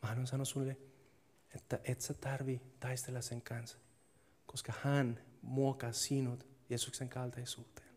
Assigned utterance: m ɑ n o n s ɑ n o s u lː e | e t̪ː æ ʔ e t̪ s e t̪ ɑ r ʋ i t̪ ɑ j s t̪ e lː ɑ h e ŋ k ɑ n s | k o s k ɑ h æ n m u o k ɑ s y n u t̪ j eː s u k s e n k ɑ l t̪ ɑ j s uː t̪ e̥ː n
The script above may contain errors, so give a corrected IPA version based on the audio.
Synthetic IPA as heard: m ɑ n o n s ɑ n o s u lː e | e t̪ː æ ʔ e t̪ s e t̪ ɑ r ʋ i t̪ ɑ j s t̪ e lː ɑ s e ŋ k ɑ n s | k o s k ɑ h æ n m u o k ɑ s i n u t̪ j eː s u k s e ŋ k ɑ l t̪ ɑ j s uː t̪ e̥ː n